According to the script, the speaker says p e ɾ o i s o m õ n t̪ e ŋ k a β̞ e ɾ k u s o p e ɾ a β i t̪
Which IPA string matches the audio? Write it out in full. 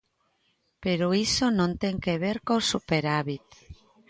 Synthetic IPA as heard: p e ɾ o i s o n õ n t̪ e ŋ k e β̞ e ɾ k o s u p e ɾ a β i t̪